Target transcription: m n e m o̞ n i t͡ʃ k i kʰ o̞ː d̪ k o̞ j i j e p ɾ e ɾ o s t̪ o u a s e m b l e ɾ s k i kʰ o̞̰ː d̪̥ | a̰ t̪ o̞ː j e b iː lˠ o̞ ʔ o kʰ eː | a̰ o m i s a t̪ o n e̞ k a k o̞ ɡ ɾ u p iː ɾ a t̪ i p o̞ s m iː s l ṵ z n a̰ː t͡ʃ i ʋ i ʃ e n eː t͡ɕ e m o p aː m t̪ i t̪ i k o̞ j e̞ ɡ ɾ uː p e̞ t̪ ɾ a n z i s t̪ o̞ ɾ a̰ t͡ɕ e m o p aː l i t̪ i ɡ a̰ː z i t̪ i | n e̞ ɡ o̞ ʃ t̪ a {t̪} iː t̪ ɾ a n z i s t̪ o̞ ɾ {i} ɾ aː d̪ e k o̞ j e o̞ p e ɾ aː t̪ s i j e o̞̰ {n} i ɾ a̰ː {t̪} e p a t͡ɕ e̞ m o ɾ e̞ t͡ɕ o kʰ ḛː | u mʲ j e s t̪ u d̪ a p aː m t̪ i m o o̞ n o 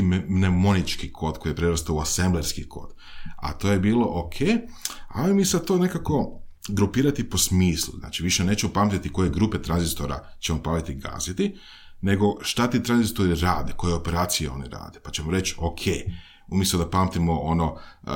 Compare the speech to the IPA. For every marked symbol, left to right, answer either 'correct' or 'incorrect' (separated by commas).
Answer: correct, correct, correct, incorrect